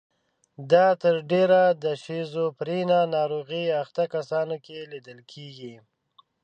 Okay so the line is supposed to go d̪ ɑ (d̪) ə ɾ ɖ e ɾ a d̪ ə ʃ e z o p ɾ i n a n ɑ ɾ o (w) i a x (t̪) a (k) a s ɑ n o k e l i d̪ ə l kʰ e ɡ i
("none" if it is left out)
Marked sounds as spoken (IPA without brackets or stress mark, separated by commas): t̪, ɣ, t̪, k